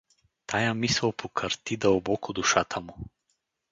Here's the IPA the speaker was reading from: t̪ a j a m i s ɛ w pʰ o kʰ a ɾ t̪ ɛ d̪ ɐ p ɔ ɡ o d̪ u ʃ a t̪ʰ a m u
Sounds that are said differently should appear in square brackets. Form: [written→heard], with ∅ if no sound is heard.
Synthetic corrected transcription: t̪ a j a m i s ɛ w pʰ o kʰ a ɾ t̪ [ɛ→i] d̪ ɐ [p→b] ɔ [ɡ→k] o d̪ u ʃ a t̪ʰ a m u